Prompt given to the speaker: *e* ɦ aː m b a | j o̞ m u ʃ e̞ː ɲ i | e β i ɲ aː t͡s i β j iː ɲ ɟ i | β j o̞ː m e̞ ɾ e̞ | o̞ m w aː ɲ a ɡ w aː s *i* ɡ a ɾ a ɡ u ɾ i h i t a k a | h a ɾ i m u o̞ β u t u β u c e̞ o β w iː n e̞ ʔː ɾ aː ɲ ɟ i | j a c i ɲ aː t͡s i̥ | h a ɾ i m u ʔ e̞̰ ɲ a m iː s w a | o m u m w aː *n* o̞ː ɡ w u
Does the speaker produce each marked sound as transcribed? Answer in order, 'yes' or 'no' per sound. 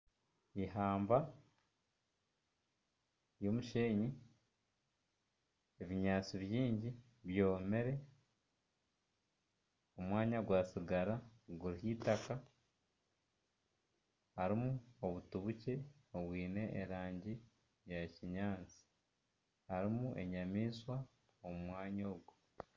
no, yes, no

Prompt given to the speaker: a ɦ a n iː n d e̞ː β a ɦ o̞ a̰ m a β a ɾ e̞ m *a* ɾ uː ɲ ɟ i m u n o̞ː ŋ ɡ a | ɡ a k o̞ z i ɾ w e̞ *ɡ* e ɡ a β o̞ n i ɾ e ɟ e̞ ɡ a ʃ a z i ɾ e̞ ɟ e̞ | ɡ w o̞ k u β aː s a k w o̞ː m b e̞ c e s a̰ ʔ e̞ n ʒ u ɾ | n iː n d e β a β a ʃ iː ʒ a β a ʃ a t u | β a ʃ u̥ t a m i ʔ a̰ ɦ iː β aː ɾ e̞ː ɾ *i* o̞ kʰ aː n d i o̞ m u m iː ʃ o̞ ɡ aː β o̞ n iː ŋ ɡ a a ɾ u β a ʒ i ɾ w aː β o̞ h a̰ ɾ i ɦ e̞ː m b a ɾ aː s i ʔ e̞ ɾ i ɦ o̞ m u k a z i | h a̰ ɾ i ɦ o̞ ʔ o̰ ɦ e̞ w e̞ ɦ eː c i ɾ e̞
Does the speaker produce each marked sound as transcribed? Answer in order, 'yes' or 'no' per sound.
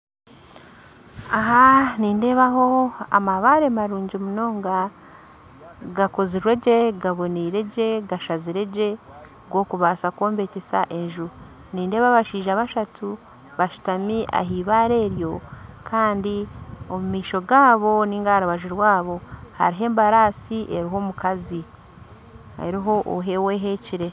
yes, no, no

